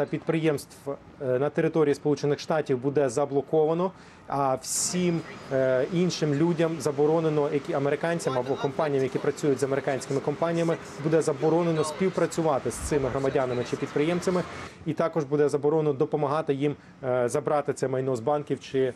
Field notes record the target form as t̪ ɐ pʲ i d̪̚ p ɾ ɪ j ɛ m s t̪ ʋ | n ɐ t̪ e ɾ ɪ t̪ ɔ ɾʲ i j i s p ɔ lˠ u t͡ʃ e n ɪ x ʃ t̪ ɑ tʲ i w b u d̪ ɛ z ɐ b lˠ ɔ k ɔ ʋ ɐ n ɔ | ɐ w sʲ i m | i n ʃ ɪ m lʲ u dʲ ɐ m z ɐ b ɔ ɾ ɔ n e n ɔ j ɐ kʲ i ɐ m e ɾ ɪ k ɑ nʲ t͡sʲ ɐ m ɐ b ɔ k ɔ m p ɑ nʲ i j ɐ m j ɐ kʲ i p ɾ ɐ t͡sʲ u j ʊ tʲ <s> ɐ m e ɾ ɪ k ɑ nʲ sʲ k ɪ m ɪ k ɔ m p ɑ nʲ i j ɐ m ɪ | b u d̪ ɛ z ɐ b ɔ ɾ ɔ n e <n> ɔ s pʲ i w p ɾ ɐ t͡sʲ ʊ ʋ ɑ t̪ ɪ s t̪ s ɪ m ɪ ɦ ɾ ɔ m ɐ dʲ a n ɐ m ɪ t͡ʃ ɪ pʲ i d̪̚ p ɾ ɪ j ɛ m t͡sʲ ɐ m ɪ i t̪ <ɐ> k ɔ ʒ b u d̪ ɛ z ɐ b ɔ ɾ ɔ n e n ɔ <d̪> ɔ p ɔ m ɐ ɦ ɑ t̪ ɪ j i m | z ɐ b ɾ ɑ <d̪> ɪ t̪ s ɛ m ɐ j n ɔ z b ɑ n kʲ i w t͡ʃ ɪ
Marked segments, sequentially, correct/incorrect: incorrect, correct, incorrect, correct, incorrect

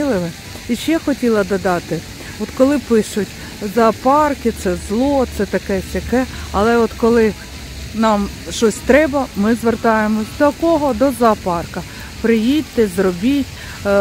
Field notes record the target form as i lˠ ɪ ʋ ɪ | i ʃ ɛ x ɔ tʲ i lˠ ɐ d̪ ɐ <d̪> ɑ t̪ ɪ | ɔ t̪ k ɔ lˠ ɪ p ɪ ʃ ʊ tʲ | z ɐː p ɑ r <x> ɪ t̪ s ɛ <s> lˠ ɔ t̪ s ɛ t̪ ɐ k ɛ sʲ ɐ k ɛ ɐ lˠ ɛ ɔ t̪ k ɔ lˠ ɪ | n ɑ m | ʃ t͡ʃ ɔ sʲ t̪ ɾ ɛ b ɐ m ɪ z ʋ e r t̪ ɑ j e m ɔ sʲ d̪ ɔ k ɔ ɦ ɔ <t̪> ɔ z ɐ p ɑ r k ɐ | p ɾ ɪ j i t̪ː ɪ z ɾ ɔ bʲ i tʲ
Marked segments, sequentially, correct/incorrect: correct, incorrect, incorrect, incorrect

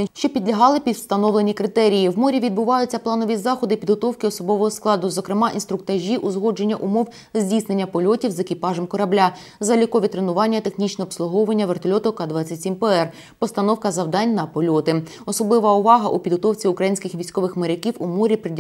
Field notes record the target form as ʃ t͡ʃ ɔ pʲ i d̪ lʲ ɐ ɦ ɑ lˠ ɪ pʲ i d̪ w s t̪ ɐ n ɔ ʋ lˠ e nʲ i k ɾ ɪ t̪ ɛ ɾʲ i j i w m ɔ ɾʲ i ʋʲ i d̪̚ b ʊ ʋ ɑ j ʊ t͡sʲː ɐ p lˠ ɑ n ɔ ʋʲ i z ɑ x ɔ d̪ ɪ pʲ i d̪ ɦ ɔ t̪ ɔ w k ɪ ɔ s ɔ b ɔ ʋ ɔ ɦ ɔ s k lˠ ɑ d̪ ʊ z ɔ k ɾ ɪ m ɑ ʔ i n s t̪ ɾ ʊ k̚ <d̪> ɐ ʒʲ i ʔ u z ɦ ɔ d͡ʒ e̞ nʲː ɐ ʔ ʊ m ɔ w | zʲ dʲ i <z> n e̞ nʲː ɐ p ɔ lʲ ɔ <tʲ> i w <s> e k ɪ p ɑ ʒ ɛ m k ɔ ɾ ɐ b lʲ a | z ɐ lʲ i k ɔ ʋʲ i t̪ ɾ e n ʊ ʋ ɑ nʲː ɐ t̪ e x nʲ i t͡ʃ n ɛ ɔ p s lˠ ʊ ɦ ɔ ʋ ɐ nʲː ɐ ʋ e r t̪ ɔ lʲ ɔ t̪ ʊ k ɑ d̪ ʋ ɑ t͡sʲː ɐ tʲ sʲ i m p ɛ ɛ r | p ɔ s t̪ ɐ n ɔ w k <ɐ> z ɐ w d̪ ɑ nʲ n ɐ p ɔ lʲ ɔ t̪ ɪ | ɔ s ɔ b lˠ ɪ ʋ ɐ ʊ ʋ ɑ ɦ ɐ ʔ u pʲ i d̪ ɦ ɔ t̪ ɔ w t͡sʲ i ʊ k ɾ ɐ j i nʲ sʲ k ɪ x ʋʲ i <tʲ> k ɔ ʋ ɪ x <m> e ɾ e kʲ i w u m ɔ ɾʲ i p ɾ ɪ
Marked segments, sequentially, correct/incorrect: incorrect, incorrect, correct, incorrect, correct, incorrect, correct

